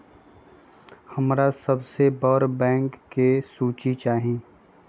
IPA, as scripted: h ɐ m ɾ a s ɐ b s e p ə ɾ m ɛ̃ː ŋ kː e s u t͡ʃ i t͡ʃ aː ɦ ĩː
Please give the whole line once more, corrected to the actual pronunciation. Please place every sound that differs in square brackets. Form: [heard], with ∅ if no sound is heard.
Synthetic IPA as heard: h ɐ m ɾ a s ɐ b s e [b] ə ɾ [b] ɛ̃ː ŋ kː e s [uː] t͡ʃ i t͡ʃ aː ɦ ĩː